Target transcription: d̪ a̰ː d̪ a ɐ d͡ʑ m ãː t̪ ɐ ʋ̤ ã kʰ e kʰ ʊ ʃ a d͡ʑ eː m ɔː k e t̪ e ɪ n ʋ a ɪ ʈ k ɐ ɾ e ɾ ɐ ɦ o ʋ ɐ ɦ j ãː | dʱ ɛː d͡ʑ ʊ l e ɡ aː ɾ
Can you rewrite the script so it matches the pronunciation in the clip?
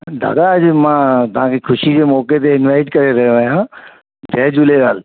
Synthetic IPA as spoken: d̪ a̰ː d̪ a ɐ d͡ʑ m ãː t̪ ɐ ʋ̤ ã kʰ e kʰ ʊ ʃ i d͡ʑ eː m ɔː k e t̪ e ɪ n ʋ a ɪ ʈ k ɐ ɾ e ɾ ɐ ɦ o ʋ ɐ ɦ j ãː | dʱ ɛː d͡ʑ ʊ l e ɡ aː l